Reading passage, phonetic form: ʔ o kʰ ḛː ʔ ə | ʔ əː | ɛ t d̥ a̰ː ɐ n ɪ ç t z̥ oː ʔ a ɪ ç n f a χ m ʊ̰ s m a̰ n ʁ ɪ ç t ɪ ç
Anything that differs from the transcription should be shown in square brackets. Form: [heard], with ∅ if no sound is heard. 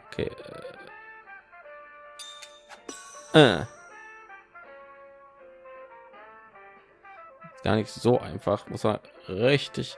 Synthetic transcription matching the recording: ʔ o kʰ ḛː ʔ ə | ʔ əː | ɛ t [ɡ̥] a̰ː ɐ n ɪ ç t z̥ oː ʔ a ɪ [∅] n f a χ m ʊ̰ s m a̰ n ʁ ɪ ç t ɪ ç